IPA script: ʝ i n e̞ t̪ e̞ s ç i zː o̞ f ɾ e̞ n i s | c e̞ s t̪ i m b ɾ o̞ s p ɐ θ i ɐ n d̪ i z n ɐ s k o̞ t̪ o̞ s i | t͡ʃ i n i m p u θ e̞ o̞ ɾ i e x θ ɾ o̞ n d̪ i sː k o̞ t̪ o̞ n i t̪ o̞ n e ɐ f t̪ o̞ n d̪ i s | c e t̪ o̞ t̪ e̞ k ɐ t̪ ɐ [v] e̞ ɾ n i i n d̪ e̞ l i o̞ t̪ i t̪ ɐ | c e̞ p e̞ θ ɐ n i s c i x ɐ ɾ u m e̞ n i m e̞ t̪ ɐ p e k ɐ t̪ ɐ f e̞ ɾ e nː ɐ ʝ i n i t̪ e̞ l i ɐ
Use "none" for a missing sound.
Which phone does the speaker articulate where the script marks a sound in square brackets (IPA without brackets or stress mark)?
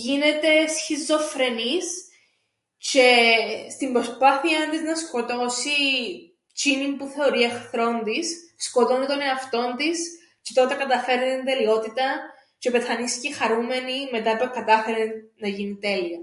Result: f